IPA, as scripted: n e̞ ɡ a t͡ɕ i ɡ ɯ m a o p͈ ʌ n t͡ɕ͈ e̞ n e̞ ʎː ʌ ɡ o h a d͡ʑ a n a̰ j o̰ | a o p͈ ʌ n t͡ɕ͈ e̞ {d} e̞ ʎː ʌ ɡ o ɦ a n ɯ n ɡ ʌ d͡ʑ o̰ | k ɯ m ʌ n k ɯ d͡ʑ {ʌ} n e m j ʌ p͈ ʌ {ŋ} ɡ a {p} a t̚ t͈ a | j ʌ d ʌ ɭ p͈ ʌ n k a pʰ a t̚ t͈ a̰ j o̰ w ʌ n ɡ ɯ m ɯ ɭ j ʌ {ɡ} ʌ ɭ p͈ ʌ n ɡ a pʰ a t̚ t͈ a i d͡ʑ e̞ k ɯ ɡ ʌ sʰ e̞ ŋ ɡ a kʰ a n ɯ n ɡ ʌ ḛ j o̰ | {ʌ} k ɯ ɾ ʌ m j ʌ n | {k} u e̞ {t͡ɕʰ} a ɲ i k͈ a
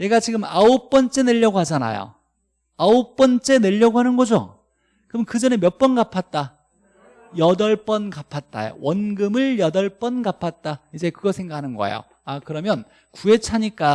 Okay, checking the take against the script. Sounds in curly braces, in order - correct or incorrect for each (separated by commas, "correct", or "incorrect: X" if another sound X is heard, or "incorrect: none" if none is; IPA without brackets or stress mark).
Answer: incorrect: n, correct, incorrect: n, incorrect: pʰ, incorrect: d, incorrect: a, correct, correct